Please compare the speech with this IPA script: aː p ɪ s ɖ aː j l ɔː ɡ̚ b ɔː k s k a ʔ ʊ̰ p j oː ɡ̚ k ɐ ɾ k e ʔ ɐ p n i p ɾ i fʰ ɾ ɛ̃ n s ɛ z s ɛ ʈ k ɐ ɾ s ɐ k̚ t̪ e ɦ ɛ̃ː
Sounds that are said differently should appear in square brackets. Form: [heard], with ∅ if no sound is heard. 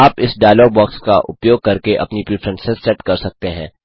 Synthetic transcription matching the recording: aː p ɪ s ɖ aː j l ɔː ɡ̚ b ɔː k s k a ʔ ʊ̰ p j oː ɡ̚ k ɐ ɾ k e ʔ ɐ p n i p ɾ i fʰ ɾ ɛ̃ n s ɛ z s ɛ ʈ k ɐ ɾ s ɐ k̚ t̪ e ɦ ɛ̃ː